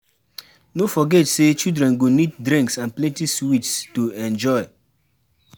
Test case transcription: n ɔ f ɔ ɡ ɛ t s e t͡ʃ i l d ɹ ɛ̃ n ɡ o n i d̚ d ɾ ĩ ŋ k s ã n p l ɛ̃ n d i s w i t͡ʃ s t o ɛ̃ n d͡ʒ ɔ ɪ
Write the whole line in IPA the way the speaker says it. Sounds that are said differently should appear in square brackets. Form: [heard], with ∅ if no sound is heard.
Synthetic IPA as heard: n [o] f ɔ ɡ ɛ t s e t͡ʃ i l d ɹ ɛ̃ n ɡ o n i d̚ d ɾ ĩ ŋ k s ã n p l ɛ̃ n [t] i s w i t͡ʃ s t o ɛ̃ n d͡ʒ ɔ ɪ